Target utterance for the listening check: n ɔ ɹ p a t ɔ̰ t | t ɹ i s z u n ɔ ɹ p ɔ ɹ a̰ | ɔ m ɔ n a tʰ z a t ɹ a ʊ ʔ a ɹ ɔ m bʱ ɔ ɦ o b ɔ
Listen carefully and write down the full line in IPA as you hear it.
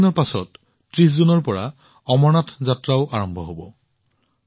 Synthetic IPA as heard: n ɔ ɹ p a s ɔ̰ t | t ɹ i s z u n ɔ ɹ p ɔ ɹ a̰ | ɔ m ɔ n a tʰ z a t ɹ a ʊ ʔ a ɹ ɔ m bʱ ɔ ɦ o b ɔ